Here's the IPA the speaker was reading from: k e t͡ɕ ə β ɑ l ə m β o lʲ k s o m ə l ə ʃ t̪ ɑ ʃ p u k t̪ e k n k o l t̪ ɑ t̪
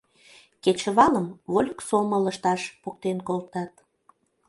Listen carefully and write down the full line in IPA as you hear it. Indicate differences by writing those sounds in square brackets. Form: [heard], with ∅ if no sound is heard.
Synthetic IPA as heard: k e t͡ɕ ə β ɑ l ə m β o lʲ k s o m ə l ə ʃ t̪ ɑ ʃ p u k t̪ e [∅] n k o l t̪ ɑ t̪